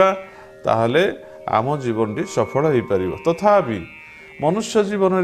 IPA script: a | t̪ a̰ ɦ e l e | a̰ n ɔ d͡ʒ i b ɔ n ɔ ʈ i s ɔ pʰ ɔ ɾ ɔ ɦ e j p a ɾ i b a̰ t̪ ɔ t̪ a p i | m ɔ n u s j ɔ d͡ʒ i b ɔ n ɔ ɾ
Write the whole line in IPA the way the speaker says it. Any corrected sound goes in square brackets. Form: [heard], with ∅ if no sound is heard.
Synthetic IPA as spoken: a | t̪ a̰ ɦ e l e | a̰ [m] ɔ d͡ʒ i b ɔ n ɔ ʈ i s ɔ pʰ ɔ [ɭ] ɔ ɦ e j p a ɾ i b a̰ t̪ ɔ [t̪ʰ] a p i | m ɔ n u s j ɔ d͡ʒ i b ɔ n ɔ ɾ